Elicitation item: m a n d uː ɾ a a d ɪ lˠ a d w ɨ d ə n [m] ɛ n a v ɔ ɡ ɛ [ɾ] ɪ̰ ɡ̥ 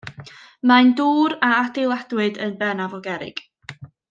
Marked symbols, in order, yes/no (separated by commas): no, yes